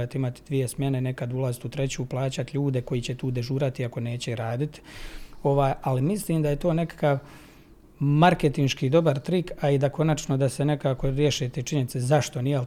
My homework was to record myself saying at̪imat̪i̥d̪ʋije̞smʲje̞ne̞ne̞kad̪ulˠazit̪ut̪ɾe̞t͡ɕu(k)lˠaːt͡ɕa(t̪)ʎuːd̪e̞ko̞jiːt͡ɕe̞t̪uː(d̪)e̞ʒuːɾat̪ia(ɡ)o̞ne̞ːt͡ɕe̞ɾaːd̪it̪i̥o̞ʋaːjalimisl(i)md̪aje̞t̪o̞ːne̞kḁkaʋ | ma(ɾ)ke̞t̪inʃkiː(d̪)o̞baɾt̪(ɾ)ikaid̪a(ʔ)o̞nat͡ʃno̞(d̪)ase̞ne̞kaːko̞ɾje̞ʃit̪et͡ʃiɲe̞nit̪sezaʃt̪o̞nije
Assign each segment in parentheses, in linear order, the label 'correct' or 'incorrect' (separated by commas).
incorrect, correct, correct, incorrect, incorrect, correct, correct, correct, incorrect, correct